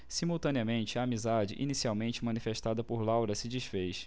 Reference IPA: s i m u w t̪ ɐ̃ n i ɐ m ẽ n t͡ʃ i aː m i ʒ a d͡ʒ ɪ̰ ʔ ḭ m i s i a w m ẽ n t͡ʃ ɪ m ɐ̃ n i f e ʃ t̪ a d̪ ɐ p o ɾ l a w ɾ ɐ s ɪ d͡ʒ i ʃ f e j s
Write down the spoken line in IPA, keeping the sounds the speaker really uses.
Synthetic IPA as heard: s i m u w t̪ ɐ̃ n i ɐ m ẽ n t͡ʃ ɪ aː m i z a d͡ʒ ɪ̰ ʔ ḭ n i s i a w m ẽ n t͡ʃ ɪ m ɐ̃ n i f e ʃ t̪ a d̪ ɐ p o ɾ l a w ɾ ɐ s ɪ d͡ʒ i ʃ f e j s